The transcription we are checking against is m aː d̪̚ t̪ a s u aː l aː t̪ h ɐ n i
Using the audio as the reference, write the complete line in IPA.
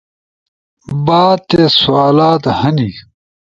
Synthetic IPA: b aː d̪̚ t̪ e s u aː l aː t̪ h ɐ n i